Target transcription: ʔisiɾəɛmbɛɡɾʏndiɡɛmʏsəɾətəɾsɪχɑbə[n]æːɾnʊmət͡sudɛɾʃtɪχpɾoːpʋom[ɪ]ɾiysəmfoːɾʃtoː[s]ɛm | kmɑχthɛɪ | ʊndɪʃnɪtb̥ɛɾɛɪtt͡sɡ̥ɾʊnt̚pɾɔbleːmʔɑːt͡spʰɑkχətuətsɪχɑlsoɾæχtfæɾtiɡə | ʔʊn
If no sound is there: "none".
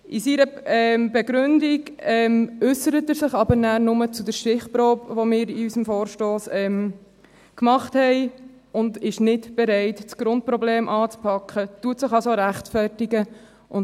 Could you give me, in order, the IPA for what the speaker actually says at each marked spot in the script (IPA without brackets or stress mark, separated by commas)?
n, ɪː, s